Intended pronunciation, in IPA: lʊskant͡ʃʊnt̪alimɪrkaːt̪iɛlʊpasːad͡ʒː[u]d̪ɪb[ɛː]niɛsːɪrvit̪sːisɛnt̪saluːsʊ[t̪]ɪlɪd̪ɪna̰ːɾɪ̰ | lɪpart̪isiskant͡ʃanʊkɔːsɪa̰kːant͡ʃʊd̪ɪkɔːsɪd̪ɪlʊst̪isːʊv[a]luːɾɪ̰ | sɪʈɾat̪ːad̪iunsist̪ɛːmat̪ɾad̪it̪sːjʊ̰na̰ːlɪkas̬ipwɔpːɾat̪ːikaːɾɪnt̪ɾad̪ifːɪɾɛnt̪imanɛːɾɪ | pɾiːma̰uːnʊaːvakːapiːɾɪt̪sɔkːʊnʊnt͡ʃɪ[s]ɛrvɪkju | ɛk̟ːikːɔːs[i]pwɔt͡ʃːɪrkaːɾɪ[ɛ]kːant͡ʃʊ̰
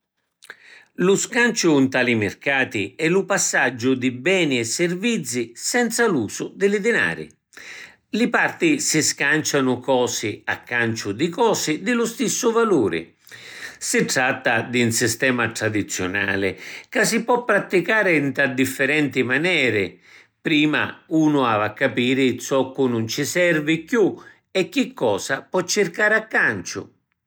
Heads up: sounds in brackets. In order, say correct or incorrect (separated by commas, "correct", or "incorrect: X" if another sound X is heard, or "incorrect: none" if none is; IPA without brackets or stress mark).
incorrect: ʊ, correct, incorrect: d̪, correct, correct, incorrect: a, incorrect: a